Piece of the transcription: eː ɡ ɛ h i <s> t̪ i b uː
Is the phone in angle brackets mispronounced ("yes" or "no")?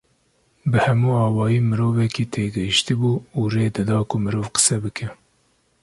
yes